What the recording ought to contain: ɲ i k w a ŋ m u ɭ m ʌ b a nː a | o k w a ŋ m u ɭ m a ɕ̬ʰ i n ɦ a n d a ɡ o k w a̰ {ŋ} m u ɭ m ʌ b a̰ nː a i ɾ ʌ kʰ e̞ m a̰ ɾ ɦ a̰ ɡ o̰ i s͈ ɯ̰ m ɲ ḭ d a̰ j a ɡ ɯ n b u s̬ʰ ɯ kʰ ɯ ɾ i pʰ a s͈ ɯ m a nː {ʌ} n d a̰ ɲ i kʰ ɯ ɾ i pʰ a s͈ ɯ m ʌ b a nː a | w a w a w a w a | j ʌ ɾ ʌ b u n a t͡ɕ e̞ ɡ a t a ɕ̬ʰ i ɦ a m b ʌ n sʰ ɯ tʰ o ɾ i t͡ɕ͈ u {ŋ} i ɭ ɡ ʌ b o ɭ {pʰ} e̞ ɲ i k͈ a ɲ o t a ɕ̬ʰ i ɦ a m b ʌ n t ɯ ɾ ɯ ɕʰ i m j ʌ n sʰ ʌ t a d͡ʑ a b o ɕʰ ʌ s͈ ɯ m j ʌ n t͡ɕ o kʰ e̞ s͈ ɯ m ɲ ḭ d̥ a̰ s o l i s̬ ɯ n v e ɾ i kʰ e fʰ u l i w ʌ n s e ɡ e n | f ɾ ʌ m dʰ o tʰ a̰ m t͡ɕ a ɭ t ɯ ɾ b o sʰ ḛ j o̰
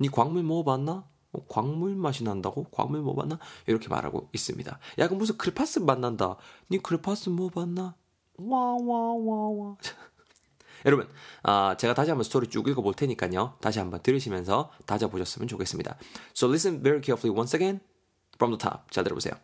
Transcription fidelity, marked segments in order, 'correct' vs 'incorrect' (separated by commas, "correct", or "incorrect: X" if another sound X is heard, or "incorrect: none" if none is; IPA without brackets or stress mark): correct, incorrect: a, incorrect: ɡ, incorrect: tʰ